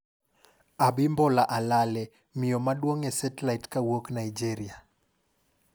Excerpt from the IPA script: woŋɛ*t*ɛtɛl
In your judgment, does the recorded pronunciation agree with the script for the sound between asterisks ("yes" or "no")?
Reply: no